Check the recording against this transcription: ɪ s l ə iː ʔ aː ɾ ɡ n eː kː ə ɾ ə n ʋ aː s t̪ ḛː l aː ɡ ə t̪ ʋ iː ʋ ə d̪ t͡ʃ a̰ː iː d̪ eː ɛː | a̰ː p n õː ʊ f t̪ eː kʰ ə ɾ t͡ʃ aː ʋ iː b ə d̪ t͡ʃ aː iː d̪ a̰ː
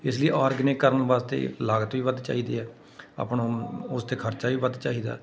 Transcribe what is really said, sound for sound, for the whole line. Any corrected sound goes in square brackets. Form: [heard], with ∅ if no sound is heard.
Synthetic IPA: ɪ s l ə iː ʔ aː ɾ ɡ n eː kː ə ɾ ə n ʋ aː s t̪ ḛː l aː ɡ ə t̪ ʋ iː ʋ ə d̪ t͡ʃ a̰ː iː d̪ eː ɛː | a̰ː p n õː ʊ [s] t̪ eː kʰ ə ɾ t͡ʃ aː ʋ iː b ə d̪ t͡ʃ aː iː d̪ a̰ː